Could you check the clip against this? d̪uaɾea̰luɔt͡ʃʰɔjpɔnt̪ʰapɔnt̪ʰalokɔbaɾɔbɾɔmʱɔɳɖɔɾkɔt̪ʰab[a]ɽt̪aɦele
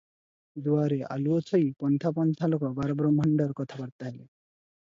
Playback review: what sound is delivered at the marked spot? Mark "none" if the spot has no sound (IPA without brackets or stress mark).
a